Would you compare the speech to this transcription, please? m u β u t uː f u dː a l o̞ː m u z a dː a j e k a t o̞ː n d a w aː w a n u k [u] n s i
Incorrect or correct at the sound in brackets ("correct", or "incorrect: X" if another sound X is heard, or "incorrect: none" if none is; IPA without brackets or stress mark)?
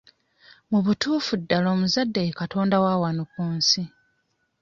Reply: incorrect: uː